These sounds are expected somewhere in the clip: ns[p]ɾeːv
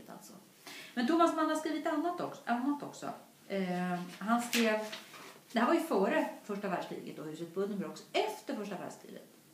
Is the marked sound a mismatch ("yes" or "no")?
yes